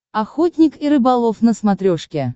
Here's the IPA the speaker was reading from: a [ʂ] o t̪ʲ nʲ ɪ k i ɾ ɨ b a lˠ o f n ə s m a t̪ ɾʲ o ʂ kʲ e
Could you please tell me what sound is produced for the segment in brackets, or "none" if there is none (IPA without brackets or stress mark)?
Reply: x